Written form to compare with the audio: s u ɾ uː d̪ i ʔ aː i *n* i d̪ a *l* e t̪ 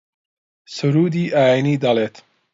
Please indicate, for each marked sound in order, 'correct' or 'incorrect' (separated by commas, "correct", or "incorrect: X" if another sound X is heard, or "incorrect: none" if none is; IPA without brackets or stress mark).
correct, correct